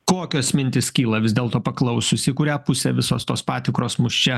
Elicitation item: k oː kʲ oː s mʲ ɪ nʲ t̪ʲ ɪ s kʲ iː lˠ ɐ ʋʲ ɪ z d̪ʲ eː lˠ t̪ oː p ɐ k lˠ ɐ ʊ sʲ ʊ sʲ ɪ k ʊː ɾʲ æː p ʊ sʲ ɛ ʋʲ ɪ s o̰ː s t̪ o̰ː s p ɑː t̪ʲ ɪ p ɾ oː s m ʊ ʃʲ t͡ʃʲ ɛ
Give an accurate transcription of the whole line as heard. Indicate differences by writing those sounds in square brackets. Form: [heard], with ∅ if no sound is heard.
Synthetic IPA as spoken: k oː kʲ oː s mʲ ɪ nʲ t̪ʲ ɪ s kʲ iː lˠ ɐ ʋʲ ɪ z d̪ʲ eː lˠ t̪ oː p ɐ k lˠ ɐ ʊ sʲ ʊ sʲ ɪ k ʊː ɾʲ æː p ʊ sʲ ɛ ʋʲ ɪ s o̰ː s t̪ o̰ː s p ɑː t̪ʲ ɪ [k] ɾ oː s m ʊ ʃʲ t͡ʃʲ ɛ